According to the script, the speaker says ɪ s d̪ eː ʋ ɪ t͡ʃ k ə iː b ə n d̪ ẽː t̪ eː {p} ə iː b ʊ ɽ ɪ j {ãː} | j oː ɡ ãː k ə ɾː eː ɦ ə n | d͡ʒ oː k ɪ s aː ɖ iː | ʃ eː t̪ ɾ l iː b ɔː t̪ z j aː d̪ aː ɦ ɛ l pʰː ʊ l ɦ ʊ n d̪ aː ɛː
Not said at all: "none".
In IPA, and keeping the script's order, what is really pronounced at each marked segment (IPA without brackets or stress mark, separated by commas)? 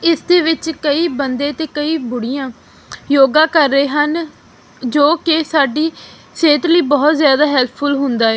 k, ãː